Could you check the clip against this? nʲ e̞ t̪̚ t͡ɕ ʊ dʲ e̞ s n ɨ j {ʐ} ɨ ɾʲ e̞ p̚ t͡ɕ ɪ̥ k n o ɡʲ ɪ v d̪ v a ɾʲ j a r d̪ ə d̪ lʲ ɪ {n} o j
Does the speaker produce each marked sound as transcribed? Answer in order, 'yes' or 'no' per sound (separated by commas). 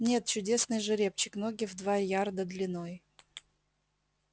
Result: yes, yes